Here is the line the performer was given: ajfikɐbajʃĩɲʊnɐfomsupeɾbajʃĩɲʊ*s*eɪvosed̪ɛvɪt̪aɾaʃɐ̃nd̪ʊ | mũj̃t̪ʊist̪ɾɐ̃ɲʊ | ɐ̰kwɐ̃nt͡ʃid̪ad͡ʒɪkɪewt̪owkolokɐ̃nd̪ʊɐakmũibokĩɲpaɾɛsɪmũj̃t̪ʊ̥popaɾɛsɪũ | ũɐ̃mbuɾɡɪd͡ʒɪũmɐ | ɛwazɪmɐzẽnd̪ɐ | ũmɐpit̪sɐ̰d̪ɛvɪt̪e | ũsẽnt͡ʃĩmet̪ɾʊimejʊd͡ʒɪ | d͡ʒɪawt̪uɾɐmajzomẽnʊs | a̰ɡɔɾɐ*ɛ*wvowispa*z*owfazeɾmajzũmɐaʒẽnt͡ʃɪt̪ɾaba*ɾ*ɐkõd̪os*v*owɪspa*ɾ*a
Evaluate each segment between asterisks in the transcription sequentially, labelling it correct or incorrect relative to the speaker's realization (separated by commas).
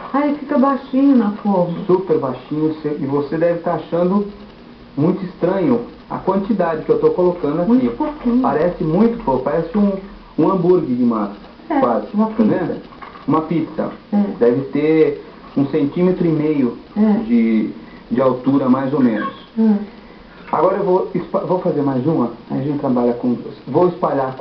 correct, incorrect, incorrect, incorrect, correct, incorrect